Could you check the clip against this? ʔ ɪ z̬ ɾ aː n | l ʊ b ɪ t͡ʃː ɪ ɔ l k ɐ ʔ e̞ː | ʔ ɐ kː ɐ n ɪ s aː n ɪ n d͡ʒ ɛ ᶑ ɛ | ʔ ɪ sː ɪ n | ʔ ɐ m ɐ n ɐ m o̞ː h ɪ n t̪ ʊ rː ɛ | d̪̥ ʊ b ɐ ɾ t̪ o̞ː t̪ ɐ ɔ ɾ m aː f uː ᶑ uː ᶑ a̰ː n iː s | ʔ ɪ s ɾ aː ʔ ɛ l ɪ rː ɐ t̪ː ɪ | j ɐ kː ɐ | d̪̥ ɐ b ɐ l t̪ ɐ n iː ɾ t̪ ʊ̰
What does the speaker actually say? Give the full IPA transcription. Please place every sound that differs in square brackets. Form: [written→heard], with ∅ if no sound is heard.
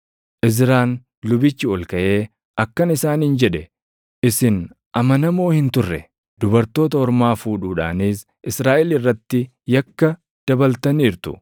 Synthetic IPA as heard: ʔ ɪ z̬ ɾ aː n | l ʊ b ɪ t͡ʃː ɪ ɔ l k ɐ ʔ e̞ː | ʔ ɐ kː ɐ n ɪ s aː n ɪ n d͡ʒ ɛ ᶑ ɛ | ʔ ɪ [sː→s] ɪ n | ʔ ɐ m ɐ n ɐ m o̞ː h ɪ n t̪ ʊ rː ɛ | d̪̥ ʊ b ɐ ɾ t̪ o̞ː t̪ ɐ ɔ ɾ m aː f uː ᶑ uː ᶑ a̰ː n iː s | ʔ ɪ s ɾ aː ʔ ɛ l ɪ rː ɐ t̪ː ɪ | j ɐ kː ɐ | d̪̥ ɐ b ɐ l t̪ ɐ n iː ɾ t̪ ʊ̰